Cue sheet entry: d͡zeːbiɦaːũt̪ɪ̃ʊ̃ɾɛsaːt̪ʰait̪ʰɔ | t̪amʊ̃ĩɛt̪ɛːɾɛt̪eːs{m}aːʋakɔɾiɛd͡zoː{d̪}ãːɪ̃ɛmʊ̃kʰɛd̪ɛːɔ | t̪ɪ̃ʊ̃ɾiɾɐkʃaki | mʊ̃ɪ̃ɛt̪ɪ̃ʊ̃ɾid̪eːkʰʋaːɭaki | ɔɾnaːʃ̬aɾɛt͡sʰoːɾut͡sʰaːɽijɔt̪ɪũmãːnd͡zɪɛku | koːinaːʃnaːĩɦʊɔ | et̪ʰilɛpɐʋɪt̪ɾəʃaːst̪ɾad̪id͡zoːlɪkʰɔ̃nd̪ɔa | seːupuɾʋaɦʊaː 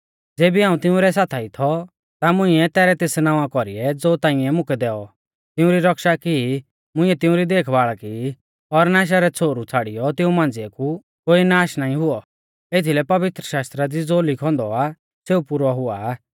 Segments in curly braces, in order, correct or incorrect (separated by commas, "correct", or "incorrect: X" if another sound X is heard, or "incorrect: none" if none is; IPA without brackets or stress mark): incorrect: n, incorrect: t̪